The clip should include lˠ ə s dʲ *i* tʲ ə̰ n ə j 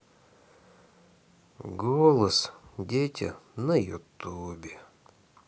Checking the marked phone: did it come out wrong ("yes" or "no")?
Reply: yes